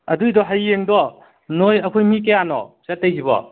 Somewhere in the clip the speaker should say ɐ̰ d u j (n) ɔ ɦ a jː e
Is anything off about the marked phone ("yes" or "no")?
yes